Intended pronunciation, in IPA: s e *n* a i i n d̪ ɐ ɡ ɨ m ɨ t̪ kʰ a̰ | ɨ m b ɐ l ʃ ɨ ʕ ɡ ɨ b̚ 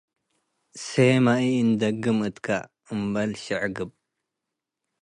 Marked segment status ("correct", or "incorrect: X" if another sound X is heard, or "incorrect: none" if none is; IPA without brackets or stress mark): incorrect: m